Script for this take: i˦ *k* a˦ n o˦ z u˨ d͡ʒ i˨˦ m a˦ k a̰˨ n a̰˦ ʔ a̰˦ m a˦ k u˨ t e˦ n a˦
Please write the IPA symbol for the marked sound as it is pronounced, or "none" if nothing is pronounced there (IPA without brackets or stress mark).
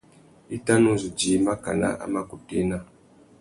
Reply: t